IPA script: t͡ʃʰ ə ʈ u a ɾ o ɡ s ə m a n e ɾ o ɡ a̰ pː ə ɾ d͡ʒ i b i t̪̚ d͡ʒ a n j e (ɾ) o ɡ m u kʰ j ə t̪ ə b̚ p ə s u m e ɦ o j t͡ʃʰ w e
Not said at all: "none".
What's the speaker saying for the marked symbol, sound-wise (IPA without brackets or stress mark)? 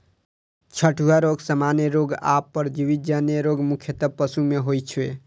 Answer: ɾ